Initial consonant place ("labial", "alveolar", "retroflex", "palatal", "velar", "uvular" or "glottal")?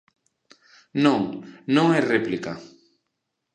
alveolar